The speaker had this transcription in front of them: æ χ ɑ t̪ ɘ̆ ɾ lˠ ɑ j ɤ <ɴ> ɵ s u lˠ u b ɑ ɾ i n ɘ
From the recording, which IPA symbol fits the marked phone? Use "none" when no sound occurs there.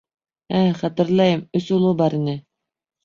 m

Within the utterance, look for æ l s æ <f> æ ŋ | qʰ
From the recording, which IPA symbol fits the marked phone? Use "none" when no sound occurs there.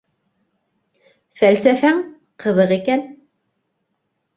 f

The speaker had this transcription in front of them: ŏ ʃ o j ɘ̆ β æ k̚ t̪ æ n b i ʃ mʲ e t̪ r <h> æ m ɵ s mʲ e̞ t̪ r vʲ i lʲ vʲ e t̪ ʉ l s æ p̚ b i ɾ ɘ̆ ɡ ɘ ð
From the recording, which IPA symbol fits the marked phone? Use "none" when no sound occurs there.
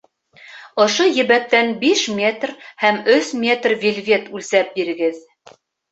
h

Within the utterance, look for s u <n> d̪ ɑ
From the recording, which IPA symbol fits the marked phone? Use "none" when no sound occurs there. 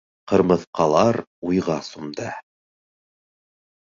m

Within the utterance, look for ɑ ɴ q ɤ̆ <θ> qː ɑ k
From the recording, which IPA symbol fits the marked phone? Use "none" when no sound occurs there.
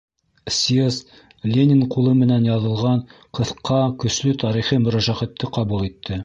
θ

